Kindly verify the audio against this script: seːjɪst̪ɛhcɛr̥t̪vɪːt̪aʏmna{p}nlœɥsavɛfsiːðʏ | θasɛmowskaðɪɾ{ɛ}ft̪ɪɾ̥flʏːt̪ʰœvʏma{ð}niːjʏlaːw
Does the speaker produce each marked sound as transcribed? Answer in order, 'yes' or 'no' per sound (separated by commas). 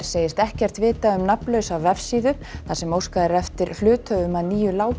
yes, yes, yes